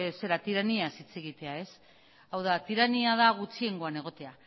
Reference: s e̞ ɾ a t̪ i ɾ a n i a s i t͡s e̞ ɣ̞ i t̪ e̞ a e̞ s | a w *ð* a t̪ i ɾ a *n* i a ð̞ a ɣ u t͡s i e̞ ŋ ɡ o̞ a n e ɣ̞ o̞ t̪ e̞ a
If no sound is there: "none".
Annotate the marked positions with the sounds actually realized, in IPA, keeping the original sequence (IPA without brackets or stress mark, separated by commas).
ð, n